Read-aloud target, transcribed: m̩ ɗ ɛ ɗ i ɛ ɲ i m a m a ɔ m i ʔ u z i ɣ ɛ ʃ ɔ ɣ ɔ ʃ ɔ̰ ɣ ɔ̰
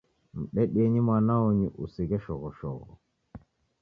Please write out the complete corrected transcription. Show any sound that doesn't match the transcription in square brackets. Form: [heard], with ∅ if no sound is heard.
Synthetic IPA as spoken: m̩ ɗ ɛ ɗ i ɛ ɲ i m a [n] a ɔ [ɲ] i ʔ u [s] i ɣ ɛ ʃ ɔ ɣ ɔ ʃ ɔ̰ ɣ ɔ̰